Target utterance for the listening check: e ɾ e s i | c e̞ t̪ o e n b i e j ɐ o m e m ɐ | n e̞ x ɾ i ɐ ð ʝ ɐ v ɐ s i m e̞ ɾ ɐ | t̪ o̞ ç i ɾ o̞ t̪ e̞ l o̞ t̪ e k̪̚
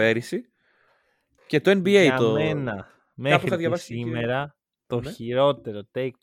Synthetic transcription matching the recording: e ɾ i s i | c e̞ t̪ o e n b i e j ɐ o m e n ɐ | m e̞ x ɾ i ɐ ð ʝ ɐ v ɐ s i m e̞ ɾ ɐ | t̪ o̞ ç i ɾ o̞ t̪ e̞ ɾ o̞ t̪ e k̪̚